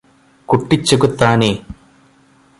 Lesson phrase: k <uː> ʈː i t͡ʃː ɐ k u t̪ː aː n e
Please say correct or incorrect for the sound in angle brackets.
incorrect